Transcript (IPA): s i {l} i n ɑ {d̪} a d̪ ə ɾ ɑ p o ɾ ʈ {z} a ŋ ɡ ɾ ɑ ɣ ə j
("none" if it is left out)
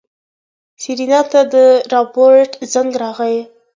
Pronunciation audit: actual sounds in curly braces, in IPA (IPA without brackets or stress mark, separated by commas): ɾ, t̪, z